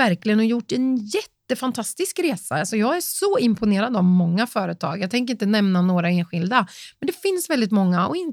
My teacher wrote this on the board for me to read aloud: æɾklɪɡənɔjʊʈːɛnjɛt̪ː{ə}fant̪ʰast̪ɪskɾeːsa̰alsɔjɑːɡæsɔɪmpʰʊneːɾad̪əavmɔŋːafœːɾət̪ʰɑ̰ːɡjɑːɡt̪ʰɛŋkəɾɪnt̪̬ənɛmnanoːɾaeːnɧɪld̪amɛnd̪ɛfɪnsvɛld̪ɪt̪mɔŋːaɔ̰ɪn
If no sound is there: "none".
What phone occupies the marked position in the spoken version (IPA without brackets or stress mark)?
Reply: ə